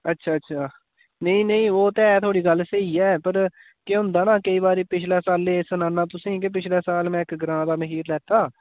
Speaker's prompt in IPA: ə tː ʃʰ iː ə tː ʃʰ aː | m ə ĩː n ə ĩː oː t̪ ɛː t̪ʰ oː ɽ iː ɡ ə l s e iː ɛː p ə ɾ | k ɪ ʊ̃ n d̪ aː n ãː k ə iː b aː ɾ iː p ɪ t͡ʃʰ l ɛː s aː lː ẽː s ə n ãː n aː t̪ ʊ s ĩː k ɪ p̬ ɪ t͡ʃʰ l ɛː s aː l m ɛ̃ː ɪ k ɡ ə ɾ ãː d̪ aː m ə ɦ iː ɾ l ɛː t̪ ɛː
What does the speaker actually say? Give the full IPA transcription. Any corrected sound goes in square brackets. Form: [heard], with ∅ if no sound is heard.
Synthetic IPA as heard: ə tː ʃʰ [aː] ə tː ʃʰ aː | [n] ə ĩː n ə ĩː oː t̪ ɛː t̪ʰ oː ɽ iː ɡ ə l s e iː ɛː p ə ɾ | k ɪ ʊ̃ n d̪ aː n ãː k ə iː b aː ɾ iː p ɪ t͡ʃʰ l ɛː s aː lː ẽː s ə n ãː n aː t̪ ʊ s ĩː k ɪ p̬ ɪ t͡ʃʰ l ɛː s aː l m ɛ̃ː ɪ k ɡ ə ɾ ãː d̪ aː m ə ɦ iː ɾ l ɛː t̪ [aː]